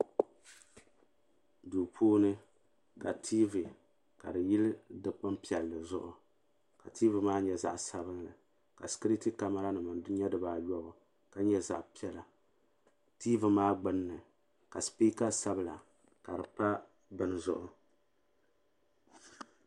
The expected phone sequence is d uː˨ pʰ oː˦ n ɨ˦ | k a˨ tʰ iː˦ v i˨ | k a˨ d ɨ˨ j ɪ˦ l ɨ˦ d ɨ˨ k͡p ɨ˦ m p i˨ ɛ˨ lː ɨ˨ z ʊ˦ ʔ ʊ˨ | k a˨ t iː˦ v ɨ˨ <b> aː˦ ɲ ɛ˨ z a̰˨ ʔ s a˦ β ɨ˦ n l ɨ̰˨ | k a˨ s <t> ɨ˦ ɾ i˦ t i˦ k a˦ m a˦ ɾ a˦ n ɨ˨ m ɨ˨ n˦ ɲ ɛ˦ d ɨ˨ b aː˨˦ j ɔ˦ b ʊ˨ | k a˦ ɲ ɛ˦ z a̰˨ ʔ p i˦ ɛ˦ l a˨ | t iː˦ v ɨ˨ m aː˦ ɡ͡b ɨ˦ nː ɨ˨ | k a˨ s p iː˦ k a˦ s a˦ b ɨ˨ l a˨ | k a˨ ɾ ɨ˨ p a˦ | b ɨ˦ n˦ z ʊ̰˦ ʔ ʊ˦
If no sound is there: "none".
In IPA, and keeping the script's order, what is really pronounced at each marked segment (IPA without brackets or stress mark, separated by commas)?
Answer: m, k